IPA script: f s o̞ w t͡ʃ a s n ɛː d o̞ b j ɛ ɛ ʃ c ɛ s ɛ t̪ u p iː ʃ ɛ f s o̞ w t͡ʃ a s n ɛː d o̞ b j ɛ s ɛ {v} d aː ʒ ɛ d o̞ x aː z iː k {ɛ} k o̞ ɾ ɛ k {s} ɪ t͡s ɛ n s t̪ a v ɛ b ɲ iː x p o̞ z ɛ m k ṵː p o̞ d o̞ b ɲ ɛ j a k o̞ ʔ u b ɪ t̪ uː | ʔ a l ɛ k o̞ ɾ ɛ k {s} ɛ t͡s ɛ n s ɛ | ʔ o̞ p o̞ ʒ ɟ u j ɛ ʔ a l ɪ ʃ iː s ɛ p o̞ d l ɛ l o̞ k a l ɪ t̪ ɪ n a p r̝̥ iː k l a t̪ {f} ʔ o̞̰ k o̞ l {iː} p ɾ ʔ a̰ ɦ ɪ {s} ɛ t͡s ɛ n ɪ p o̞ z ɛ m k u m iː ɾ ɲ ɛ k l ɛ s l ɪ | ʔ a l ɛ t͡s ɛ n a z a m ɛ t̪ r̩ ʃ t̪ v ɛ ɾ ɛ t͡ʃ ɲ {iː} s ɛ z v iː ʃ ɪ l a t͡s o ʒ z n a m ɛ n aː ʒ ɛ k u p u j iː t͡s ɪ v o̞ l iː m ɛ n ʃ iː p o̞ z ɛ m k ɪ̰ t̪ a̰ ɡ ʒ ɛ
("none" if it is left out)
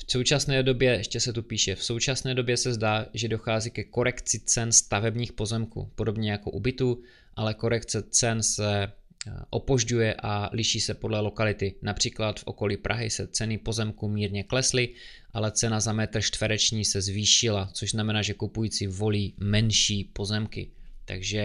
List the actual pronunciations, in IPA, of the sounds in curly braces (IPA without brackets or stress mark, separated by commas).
z, ɛ, t͡s, t͡s, f, iː, s, iː